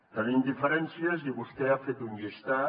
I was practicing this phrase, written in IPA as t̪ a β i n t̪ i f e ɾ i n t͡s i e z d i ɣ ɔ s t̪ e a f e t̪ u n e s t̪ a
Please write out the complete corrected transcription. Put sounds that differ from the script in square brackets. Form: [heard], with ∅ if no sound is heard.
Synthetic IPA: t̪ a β i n [d̪] i f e ɾ [e] n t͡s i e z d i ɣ [u] s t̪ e a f e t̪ u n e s t̪ a